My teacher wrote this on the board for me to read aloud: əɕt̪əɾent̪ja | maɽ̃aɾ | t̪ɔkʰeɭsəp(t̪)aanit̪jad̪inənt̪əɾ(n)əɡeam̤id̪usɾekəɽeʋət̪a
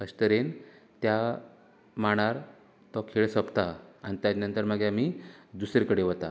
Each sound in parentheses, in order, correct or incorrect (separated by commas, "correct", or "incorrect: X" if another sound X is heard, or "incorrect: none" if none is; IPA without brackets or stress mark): correct, incorrect: m